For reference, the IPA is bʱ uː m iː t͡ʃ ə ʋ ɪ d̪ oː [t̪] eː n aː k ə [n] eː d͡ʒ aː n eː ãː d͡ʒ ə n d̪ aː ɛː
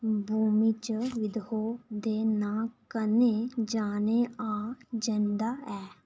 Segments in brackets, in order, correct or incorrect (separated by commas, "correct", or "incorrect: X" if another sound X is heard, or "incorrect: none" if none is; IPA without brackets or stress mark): incorrect: d̪, correct